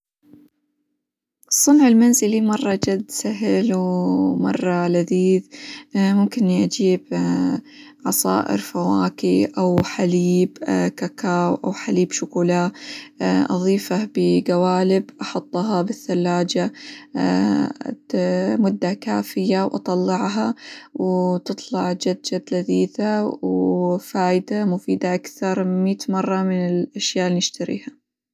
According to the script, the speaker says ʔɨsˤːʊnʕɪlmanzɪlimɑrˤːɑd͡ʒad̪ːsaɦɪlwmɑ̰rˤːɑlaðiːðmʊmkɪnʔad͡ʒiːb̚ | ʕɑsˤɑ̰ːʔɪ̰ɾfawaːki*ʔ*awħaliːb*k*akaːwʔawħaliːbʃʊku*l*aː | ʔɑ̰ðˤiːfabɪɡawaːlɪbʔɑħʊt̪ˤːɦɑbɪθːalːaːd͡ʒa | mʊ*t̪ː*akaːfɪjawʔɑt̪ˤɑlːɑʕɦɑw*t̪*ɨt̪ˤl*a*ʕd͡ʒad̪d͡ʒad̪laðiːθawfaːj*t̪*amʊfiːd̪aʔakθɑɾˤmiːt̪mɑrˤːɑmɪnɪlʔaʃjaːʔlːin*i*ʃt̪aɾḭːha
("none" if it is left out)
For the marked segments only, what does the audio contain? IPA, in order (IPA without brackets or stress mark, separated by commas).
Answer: ʔ, k, l, d̪ː, t̪, ɑ, d̪, ɪ